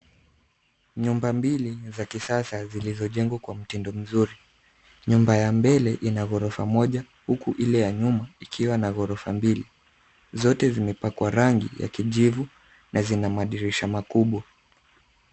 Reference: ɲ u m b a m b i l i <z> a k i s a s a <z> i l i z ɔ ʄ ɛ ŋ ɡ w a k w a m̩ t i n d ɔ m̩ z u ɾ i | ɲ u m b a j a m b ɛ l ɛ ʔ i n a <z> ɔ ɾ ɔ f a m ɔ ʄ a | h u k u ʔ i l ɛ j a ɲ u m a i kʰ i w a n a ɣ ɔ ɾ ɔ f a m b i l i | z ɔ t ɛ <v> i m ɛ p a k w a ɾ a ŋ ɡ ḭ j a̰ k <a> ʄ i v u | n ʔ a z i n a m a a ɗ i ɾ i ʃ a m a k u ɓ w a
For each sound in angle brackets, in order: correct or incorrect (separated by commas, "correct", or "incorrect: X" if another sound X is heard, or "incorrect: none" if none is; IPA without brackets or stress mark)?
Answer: correct, correct, incorrect: ɣ, incorrect: z, incorrect: i